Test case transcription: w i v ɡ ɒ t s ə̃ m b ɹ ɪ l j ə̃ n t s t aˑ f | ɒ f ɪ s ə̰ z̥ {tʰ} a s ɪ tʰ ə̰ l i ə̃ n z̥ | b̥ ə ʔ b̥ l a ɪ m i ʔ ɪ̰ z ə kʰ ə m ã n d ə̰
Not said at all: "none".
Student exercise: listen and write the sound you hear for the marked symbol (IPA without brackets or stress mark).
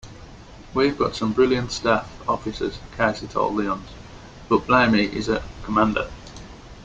kʰ